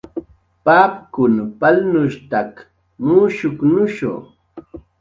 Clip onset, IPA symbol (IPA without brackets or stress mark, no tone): p